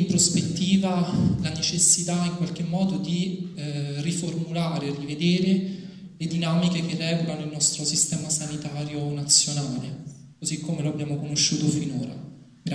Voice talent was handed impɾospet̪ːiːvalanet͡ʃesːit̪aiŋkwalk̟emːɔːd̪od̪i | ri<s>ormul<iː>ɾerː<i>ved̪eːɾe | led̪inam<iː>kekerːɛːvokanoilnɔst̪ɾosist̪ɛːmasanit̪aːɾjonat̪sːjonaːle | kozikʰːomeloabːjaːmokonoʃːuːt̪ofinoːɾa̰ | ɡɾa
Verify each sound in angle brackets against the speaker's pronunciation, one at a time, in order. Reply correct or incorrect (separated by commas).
incorrect, incorrect, correct, incorrect